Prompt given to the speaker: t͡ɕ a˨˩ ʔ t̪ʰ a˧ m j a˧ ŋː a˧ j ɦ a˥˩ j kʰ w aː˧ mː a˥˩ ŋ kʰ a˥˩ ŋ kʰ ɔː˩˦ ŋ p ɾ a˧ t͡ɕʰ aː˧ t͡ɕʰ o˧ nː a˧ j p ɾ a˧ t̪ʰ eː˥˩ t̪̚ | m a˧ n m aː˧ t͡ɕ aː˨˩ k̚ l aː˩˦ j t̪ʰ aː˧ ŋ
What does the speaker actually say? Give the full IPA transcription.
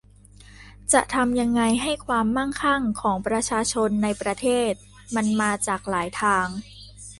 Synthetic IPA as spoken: t͡ɕ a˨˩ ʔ t̪ʰ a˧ m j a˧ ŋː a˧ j ɦ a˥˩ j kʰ w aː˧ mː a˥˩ ŋ kʰ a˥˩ ŋ kʰ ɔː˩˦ ŋ p ɾ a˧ t͡ɕʰ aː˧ t͡ɕʰ o˧ nː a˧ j p ɾ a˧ t̪ʰ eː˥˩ t̪̚ | m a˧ n m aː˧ t͡ɕ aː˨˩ k̚ l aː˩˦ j t̪ʰ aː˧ ŋ

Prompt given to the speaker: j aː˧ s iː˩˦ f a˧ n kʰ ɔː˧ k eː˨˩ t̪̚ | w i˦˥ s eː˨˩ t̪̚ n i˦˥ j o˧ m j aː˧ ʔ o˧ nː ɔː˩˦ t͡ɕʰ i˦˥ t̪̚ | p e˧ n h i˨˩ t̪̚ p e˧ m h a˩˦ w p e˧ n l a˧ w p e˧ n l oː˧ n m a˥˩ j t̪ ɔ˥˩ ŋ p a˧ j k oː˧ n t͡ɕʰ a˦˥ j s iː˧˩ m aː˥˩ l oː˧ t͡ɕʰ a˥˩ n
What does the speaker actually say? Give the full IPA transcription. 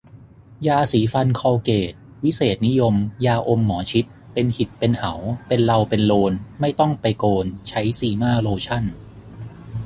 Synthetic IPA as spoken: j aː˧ s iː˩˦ f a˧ n kʰ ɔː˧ k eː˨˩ t̪̚ | w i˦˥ s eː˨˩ t̪̚ n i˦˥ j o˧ m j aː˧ ʔ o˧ mː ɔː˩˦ t͡ɕʰ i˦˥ t̪̚ | p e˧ n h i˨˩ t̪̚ p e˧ n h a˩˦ w p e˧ n l a˧ w p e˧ n l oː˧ n m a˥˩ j t̪ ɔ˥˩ ŋ p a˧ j k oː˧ n t͡ɕʰ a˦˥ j s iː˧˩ m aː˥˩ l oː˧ t͡ɕʰ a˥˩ n

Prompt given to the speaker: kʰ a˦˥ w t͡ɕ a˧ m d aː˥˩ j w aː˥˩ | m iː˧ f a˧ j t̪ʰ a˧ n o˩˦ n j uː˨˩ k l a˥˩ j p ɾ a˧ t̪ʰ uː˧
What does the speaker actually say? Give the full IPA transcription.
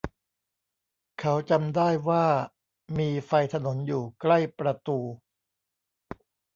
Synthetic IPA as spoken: kʰ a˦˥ w t͡ɕ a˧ m d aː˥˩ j w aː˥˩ | m iː˧ f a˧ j t̪ʰ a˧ n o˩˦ n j uː˨˩ k l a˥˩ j p ɾ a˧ t̪ uː˧

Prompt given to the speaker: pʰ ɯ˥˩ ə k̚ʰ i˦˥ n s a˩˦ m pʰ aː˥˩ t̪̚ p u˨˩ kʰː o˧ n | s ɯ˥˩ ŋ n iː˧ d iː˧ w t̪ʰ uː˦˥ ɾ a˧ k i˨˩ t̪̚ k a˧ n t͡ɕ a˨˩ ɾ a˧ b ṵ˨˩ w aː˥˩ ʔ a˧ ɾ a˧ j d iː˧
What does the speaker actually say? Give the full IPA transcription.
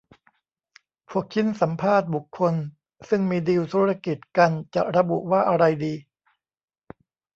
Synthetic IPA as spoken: pʰ u˥˩ ə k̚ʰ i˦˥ n s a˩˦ m pʰ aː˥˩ t̪̚ b u˨˩ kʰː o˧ n | s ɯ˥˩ ŋ m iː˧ d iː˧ w t̪ʰ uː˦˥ ɾ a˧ k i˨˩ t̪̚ k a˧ n t͡ɕ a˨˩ ɾ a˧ b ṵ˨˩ w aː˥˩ ʔ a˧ ɾ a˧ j d iː˧

